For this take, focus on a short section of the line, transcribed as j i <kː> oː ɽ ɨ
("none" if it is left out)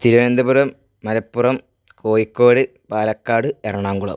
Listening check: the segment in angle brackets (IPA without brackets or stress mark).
kː